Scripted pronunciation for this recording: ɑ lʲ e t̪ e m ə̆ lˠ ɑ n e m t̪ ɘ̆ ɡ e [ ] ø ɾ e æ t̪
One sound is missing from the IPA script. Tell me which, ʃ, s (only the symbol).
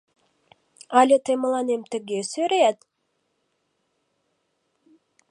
s